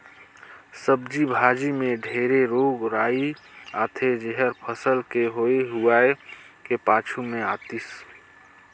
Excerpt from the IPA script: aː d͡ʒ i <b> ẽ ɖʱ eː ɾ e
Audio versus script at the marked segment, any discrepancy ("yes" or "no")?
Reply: yes